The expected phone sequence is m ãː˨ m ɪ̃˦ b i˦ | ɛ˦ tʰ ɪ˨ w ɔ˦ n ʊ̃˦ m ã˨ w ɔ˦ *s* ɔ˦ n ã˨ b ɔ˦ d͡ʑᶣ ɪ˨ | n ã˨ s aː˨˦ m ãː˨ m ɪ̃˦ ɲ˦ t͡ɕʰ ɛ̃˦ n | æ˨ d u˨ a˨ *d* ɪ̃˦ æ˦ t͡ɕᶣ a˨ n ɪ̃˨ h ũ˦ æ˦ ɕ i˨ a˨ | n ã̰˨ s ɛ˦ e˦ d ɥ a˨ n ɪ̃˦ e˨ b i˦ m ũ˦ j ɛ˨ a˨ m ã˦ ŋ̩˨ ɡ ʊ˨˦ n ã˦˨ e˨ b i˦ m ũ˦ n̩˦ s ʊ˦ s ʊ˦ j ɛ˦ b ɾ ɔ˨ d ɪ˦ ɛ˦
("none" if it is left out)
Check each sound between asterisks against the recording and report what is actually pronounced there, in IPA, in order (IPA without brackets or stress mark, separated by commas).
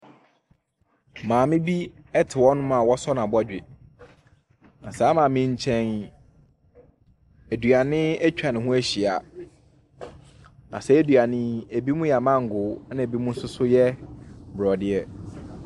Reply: s, n